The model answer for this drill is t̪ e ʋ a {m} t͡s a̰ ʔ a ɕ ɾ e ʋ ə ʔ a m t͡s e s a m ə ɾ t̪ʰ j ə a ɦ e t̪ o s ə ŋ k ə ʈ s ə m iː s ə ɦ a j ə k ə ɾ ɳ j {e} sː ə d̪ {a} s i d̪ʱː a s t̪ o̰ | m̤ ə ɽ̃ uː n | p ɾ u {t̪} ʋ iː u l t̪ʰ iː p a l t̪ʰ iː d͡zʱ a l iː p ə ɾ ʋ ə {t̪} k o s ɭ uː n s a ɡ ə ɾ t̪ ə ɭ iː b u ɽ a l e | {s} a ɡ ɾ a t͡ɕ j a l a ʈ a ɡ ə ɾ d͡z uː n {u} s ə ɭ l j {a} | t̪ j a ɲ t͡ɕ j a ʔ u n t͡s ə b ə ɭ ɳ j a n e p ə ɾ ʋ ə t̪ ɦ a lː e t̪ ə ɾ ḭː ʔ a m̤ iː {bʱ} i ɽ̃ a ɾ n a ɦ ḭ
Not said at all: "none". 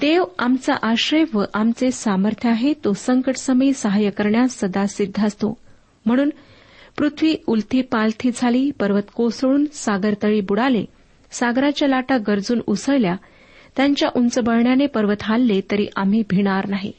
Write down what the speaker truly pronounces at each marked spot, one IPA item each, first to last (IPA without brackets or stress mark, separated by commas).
m, a, a, t̪ʰ, t̪, s, u, a, bʱ